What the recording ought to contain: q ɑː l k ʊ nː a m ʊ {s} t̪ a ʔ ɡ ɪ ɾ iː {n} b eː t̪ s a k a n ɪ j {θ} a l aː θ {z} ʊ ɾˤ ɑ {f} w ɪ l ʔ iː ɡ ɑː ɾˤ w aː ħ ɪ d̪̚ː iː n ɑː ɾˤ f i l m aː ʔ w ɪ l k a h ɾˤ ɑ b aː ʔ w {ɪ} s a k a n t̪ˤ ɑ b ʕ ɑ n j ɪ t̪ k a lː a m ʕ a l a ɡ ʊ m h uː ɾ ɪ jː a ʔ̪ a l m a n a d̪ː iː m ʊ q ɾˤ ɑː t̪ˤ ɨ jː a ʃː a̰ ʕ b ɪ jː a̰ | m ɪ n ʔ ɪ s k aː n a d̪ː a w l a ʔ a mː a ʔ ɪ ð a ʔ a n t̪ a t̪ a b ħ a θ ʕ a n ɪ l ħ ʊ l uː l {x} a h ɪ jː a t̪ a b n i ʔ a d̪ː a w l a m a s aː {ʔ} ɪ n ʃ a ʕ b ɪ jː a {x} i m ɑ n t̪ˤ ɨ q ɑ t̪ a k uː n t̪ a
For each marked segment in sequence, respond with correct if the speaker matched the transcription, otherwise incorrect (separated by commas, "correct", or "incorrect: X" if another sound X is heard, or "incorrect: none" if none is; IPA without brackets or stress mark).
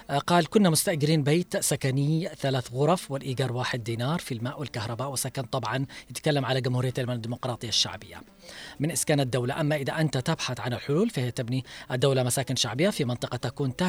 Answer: correct, correct, correct, incorrect: ɣ, correct, correct, incorrect: f, incorrect: k, incorrect: f